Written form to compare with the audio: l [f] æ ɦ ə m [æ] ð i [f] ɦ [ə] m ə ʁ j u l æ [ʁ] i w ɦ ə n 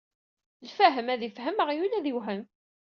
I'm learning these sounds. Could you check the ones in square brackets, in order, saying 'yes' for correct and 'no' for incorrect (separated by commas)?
yes, yes, yes, yes, no